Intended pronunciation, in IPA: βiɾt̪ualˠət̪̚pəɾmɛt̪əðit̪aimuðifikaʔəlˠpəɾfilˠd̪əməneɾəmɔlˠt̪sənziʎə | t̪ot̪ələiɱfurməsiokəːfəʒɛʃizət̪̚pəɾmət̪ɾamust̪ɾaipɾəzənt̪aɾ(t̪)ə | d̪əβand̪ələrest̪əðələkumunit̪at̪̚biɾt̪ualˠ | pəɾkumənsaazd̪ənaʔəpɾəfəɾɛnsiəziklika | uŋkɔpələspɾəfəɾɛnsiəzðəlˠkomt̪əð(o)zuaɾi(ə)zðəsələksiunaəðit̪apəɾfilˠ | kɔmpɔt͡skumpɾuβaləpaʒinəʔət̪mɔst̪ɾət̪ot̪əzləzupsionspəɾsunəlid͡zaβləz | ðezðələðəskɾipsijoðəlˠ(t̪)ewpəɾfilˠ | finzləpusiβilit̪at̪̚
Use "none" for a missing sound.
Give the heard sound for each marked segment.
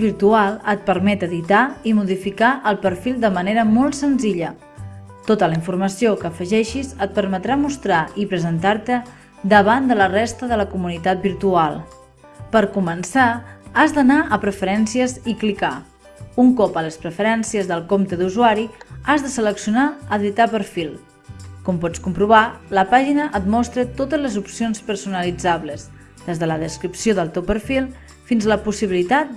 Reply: t̪, u, a, t̪

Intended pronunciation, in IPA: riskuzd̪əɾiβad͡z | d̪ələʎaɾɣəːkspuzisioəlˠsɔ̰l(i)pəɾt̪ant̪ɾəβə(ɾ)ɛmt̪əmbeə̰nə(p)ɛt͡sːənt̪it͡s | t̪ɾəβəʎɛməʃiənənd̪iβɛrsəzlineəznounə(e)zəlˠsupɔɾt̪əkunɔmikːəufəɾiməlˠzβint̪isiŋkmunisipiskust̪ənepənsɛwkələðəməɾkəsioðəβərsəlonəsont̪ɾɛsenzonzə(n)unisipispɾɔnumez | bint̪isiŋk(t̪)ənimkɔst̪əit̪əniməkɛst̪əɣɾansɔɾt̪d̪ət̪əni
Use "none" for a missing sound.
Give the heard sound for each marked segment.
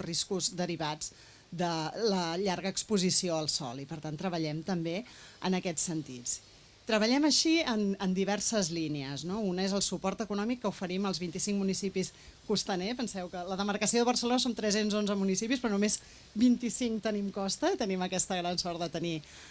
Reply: i, ʎ, k, e, m, t̪

